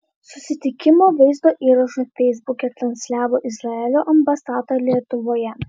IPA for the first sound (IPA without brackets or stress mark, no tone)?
s